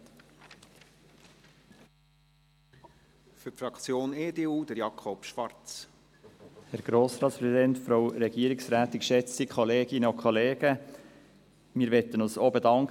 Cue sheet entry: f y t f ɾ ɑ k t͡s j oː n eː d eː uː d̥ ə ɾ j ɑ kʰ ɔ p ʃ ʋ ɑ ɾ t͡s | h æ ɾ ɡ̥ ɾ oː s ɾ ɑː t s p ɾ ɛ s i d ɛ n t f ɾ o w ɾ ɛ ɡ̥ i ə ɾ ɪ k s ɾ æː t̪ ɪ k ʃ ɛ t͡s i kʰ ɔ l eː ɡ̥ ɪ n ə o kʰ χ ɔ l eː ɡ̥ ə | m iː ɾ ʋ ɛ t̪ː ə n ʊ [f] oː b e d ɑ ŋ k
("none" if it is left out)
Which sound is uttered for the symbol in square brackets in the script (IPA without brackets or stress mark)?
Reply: s